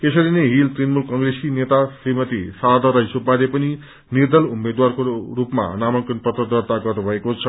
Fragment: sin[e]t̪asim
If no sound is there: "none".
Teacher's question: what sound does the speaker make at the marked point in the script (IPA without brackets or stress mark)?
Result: e